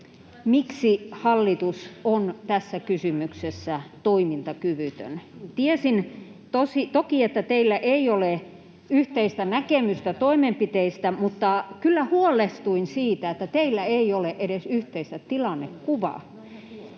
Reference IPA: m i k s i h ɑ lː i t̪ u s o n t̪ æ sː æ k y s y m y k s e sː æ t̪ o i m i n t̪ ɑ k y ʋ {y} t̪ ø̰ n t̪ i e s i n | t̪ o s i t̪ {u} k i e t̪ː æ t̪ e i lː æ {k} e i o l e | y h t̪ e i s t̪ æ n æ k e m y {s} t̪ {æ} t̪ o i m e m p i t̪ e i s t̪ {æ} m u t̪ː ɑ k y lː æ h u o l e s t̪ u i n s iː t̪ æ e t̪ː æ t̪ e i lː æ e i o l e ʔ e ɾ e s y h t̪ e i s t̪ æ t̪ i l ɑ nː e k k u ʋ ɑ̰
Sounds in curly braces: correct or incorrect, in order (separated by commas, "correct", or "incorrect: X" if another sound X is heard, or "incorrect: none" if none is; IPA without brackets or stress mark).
correct, incorrect: o, incorrect: ʔ, correct, correct, correct